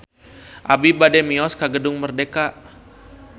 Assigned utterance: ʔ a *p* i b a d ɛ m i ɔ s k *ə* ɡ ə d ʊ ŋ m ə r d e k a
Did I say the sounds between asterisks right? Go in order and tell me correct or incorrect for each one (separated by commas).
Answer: incorrect, incorrect